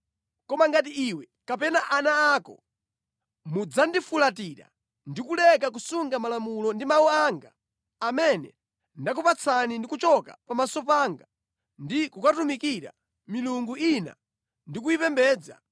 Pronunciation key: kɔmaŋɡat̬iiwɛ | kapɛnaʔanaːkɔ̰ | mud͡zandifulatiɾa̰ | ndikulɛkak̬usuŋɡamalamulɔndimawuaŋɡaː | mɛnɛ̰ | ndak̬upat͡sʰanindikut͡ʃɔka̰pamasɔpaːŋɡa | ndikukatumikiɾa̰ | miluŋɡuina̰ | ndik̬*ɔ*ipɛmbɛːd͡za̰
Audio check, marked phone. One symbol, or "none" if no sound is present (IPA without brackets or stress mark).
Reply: u